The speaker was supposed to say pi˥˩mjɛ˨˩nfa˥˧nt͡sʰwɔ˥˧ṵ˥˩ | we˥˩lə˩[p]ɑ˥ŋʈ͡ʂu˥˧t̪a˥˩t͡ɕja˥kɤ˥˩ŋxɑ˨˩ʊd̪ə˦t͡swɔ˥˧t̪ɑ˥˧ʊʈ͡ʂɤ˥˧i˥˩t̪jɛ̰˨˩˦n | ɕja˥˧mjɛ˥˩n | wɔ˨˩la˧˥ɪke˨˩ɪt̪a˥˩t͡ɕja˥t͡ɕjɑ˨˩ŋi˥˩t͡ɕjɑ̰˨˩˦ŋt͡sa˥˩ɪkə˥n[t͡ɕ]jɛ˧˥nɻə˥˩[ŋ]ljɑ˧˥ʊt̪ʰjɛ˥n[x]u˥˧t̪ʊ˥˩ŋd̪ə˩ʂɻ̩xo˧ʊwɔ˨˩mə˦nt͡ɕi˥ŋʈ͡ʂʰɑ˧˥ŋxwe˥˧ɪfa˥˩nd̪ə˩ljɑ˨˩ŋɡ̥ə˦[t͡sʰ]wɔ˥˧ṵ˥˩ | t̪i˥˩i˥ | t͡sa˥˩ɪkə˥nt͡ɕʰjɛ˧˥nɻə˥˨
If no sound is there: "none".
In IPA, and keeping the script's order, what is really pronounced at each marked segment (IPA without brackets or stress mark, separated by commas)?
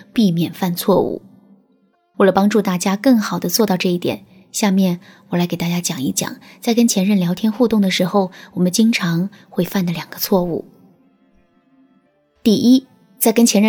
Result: p, t͡ɕʰ, n, x, t͡sʰ